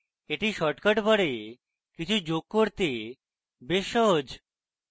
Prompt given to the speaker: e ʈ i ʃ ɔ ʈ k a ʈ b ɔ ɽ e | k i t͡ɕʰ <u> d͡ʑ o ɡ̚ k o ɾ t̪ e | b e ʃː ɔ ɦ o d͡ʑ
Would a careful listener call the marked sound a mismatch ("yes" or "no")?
no